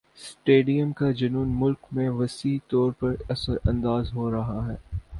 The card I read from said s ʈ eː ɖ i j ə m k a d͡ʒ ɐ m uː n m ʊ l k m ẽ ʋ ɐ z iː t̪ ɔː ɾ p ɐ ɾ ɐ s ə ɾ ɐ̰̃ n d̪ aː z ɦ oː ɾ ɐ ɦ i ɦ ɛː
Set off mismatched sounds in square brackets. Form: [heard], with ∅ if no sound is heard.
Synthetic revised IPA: s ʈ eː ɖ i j ə m k a d͡ʒ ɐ [n] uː n m ʊ l k m ẽ ʋ ɐ [s] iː t̪ ɔː ɾ p ɐ ɾ ɐ s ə ɾ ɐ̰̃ n d̪ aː z ɦ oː ɾ ɐ ɦ [a] ɦ ɛː